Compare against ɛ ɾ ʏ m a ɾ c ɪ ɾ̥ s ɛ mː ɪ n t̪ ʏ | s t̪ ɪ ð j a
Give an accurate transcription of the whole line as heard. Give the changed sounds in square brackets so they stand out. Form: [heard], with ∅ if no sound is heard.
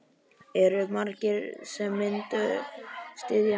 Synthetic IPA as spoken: ɛ ɾ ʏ m a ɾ c ɪ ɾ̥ s ɛ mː ɪ n t̪ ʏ | s t̪ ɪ ð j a

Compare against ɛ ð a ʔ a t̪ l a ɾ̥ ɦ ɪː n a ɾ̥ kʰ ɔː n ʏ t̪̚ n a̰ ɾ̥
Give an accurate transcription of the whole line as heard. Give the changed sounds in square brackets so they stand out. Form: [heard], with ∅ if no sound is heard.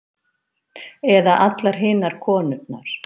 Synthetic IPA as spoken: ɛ ð a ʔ a t̪ l a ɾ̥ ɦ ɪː n a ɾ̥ kʰ ɔː n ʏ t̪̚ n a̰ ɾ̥

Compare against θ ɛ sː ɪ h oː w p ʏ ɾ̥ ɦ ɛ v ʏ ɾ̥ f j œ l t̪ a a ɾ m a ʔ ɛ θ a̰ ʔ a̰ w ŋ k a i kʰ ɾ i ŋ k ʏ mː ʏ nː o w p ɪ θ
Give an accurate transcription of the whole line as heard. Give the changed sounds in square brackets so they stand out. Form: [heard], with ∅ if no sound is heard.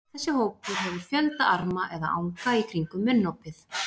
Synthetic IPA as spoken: θ ɛ sː ɪ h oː w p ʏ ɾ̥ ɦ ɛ v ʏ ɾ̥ f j œ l t̪ a a ɾ m a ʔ ɛ [ð] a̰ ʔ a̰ w ŋ k a i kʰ ɾ i ŋ k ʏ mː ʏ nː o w p ɪ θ

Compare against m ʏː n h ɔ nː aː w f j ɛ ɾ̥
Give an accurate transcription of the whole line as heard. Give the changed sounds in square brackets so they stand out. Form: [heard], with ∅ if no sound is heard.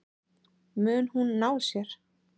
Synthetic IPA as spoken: m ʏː n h [u] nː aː w [s] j ɛ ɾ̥

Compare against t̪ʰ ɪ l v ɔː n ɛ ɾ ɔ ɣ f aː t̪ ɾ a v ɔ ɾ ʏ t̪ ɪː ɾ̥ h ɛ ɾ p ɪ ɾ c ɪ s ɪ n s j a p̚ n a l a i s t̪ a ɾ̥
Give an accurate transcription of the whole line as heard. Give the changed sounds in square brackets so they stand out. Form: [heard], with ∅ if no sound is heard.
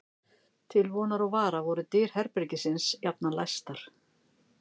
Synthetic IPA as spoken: t̪ʰ ɪ l v ɔː n [a] ɾ ɔ ɣ [v] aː [∅] ɾ a v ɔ ɾ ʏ t̪ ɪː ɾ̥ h ɛ ɾ p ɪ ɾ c ɪ s ɪ n s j a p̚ n a l a [j] s t̪ a ɾ̥

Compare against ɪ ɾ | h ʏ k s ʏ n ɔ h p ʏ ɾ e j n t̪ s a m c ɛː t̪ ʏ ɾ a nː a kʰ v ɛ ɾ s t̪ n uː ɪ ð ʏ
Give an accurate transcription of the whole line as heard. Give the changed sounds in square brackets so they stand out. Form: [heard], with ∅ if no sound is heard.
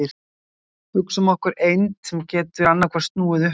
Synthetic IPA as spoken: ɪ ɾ | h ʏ k s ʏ [m] ɔ h [k] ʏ ɾ e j n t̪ s [ɛ] m c ɛː t̪ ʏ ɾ a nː a kʰ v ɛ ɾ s t̪ n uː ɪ ð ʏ

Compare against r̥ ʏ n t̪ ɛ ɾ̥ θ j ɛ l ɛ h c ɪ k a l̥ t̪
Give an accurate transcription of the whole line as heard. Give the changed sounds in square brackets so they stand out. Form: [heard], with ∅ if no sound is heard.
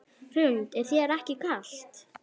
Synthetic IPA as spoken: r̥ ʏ n t̪ ɛ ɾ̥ θ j ɛ [ɾ] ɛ h c ɪ k a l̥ t̪

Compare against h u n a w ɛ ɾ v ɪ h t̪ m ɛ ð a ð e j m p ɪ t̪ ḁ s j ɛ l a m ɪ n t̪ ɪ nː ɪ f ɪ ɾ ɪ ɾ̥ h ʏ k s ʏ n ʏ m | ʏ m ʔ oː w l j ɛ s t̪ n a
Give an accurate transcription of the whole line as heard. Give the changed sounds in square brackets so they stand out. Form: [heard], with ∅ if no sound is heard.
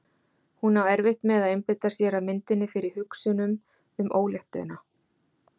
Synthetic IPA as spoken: h u n a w ɛ ɾ v ɪ h t̪ m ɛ ð a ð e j m p ɪ t̪ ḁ s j ɛ [ɾ] a m ɪ n t̪ ɪ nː ɪ f ɪ ɾ ɪ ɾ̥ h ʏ k s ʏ n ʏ m | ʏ m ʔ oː w l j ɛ [h] t̪ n a

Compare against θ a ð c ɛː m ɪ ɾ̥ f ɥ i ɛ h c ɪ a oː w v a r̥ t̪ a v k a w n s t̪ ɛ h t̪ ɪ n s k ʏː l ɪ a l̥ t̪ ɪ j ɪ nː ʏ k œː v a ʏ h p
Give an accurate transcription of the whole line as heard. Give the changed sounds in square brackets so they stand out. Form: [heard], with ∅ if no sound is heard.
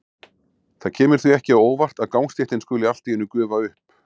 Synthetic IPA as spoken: θ a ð [cʰ] ɛː m ɪ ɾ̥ [θ] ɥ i ɛ h c ɪ a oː w v a r̥ t̪ a [ð] k a w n s t̪ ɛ h t̪ ɪ n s k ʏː l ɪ a l̥ t̪ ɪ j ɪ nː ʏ k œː v a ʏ h p

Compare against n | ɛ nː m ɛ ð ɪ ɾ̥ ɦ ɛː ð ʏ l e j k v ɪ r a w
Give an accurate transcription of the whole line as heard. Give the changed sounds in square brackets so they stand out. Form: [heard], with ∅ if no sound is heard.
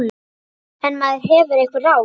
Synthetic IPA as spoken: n | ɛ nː m [a] ð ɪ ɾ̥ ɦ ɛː [v] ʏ [ɾ] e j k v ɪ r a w

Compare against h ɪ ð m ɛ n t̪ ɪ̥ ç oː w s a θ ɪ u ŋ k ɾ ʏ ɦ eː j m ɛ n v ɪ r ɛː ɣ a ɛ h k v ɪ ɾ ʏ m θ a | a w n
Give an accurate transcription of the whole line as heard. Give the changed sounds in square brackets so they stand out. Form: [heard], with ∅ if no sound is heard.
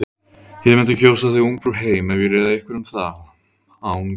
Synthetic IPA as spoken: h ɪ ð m ɛ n t̪ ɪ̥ ç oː w s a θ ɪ u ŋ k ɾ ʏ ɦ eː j m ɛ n v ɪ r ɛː [ð] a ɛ h k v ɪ ɾ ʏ m θ a | a w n

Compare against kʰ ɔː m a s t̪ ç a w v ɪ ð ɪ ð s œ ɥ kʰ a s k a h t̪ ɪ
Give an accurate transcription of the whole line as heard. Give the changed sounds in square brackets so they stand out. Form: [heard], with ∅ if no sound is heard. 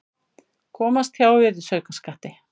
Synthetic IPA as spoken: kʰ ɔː m a s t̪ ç a w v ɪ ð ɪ [∅] s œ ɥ [k] a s k a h t̪ ɪ

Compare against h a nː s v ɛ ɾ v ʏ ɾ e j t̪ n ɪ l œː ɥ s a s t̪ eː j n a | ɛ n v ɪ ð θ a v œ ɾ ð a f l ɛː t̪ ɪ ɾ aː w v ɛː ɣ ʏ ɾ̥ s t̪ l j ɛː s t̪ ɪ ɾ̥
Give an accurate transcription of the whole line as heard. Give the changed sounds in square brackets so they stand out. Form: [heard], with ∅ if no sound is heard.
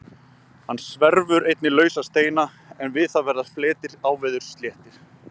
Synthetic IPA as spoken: h a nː s v ɛ ɾ v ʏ ɾ e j t̪ n ɪ l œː ɥ s a s t̪ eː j n a | ɛ n v ɪ ð θ a v [ɛ] ɾ ð a f l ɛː t̪ ɪ ɾ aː w v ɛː [ð] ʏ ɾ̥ s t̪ l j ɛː [h] t̪ ɪ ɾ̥

